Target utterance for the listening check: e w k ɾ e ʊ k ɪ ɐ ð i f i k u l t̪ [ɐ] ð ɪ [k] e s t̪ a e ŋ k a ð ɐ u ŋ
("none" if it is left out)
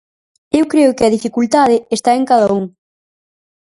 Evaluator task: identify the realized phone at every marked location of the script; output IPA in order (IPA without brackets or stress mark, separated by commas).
a, none